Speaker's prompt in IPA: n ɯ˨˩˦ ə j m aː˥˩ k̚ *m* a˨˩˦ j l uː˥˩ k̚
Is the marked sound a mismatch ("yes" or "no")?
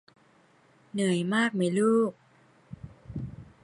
no